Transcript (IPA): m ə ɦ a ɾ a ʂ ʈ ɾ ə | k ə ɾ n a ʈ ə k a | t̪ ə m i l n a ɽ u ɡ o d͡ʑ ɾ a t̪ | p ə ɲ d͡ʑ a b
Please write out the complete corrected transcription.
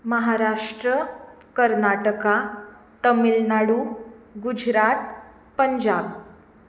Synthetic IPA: m ə ɦ a ɾ a ʂ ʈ ɾ ə | k ə ɾ n a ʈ ə k a | t̪ ə m i l n a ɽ u ɡ u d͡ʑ ɾ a t̪ | p ə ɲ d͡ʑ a b